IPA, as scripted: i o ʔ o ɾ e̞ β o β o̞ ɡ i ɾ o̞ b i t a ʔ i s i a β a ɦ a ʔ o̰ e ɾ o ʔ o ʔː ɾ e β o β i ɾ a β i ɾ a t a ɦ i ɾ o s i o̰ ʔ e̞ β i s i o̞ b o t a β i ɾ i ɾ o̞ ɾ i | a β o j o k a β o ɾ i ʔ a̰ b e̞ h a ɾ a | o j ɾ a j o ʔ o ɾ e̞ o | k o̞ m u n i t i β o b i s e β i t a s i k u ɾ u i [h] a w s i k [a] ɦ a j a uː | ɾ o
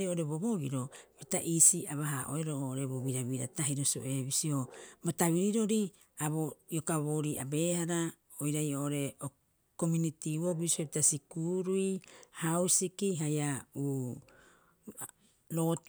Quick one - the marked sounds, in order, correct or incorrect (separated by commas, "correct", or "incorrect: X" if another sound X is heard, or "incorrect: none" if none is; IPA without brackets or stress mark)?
correct, incorrect: i